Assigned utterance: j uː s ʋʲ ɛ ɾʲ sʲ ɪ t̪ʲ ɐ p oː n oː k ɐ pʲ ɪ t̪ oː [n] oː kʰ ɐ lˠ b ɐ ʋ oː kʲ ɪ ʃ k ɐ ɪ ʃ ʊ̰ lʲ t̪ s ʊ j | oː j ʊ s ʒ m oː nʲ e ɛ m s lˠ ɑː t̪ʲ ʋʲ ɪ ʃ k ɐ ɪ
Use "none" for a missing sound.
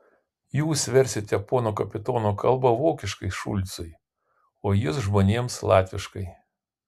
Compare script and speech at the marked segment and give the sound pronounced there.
n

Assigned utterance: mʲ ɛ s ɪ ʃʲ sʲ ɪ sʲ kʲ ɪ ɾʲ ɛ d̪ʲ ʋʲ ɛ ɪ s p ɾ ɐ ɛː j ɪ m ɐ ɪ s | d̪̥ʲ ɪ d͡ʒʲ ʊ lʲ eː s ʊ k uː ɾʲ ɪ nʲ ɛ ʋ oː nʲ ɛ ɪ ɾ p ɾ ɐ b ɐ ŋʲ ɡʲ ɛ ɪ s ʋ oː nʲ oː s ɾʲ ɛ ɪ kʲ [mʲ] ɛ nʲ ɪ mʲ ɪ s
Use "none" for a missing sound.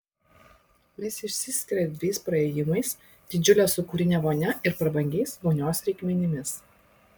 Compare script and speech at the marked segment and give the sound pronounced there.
mʲ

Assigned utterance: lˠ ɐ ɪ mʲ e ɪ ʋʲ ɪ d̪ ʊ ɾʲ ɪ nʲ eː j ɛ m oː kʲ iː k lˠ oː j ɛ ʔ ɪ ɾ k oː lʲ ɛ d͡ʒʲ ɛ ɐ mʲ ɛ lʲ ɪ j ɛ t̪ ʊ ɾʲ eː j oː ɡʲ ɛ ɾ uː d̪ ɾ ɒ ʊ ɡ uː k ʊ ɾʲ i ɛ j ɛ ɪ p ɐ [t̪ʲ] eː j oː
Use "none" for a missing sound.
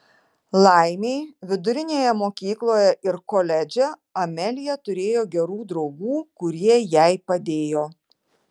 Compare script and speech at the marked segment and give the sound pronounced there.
d̪ʲ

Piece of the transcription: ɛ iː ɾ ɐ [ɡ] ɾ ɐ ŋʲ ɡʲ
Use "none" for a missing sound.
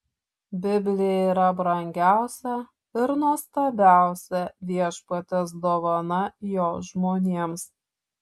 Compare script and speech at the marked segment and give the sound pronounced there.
b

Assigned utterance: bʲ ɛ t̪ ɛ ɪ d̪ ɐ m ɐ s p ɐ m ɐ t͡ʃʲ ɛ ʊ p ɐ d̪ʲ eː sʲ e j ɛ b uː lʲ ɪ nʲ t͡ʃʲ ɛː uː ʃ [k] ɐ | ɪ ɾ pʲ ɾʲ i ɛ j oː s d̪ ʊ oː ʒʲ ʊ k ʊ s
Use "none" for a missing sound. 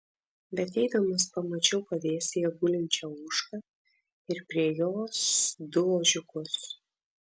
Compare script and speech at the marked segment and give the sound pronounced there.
k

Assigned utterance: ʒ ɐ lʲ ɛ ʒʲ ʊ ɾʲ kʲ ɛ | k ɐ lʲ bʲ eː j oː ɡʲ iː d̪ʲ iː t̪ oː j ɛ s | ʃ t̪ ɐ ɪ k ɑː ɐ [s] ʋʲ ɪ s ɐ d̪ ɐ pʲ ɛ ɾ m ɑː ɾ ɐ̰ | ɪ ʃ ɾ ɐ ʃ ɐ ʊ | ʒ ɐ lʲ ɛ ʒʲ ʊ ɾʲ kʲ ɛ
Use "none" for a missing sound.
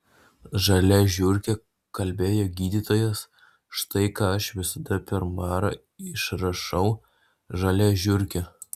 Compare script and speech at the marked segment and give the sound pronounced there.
ʃ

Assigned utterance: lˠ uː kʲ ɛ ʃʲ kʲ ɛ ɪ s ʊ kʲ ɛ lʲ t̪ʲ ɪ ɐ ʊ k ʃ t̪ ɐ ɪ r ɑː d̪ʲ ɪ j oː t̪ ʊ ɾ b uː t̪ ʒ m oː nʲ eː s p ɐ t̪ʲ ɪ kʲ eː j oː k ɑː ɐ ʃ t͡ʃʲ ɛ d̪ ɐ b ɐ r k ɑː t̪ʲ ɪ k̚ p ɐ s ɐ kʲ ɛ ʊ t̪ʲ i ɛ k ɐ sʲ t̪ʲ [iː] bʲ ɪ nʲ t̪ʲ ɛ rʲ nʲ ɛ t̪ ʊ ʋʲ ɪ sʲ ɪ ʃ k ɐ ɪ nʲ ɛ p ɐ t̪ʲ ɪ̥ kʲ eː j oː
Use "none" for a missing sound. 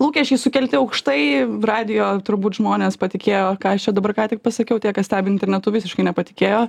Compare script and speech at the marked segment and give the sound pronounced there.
æː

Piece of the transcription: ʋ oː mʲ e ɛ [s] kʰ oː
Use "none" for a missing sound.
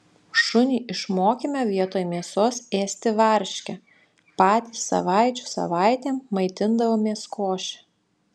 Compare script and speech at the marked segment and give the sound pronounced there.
s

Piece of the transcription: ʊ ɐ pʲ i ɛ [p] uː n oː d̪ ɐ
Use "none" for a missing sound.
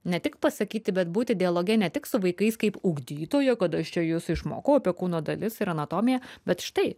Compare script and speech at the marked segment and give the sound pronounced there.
k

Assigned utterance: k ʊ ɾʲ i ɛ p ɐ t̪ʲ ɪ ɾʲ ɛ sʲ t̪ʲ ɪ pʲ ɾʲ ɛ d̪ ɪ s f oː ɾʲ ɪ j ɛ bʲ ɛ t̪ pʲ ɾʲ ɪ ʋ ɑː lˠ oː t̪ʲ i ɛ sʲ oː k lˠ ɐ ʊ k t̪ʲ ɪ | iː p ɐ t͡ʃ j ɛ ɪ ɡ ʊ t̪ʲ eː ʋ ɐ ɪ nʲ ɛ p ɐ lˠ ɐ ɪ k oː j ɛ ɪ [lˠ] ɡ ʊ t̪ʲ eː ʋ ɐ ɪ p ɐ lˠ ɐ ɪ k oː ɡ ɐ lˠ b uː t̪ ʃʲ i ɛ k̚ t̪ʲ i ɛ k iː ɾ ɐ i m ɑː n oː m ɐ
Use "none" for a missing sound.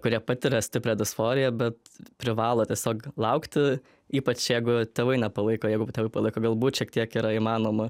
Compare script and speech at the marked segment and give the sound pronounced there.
none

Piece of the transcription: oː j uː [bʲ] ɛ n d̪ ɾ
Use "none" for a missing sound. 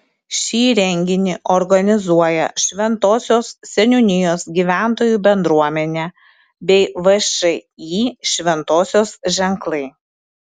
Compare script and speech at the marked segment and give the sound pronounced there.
bʲ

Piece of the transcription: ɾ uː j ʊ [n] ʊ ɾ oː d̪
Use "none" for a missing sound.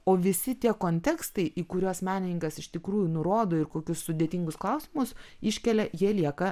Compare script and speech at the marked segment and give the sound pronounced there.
n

